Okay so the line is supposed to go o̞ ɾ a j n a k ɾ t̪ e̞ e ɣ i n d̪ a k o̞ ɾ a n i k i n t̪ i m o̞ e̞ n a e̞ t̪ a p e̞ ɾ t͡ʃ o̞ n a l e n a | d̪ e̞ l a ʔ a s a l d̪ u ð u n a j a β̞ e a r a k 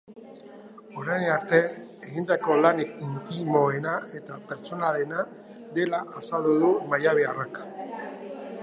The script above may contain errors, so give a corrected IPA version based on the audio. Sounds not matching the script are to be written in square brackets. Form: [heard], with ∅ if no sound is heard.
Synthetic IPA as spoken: o̞ ɾ a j n a [∅] ɾ t̪ e̞ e ɣ i n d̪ a k o̞ [l] a n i k i n t̪ i m o̞ e̞ n a e̞ t̪ a p e̞ ɾ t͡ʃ o̞ n a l e n a | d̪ e̞ l a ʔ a s a l d̪ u ð u [m] a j a β̞ e a r a k